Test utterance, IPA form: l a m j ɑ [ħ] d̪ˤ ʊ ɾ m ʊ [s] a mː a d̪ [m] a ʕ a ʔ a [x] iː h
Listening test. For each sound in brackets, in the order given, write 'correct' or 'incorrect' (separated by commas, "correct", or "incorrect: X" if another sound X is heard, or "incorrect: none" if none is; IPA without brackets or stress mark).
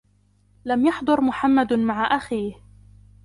correct, incorrect: ħ, correct, correct